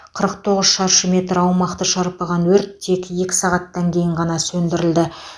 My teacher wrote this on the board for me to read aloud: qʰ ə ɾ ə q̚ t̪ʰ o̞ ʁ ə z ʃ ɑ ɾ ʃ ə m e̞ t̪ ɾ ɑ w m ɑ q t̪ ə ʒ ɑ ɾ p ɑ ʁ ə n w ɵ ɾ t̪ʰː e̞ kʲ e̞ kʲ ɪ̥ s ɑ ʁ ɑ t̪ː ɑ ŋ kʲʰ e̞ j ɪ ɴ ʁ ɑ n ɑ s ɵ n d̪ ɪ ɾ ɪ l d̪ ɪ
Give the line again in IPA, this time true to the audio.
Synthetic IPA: qʰ ə ɾ ə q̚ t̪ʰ o̞ ʁ ə z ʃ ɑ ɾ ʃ ə m e̞ t̪ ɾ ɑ w m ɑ q t̪ ə ʃ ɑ ɾ p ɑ ʁ ɑ n w ɵ ɾ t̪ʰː e̞ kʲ e̞ kʲ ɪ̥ s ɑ ʁ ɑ t̪ː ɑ ŋ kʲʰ e̞ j ɪ ɴ ʁ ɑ n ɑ s ɵ n d̪ ɪ ɾ ɪ l d̪ ɪ